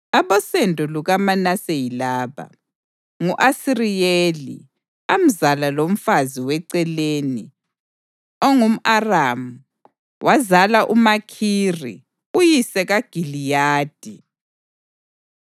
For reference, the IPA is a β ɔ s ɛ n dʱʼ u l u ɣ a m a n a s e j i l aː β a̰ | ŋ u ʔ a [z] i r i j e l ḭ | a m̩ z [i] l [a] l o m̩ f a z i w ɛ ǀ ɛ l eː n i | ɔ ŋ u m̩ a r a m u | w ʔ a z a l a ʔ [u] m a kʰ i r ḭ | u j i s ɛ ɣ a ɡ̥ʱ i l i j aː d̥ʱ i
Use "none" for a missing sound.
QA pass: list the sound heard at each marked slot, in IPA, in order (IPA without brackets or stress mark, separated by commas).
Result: s, a, a, u